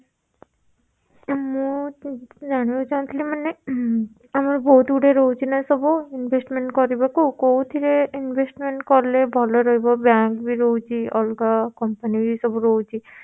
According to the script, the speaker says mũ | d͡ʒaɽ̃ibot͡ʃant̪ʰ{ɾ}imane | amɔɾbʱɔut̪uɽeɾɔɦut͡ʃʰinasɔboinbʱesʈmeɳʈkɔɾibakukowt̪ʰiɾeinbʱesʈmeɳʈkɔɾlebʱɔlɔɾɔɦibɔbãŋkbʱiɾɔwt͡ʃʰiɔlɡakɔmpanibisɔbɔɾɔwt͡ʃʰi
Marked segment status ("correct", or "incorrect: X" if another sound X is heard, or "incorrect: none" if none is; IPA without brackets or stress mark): incorrect: l